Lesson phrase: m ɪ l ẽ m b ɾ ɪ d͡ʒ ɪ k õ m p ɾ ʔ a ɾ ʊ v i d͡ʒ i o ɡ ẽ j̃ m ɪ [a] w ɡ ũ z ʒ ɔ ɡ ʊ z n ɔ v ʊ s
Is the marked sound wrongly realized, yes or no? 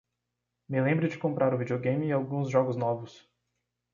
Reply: no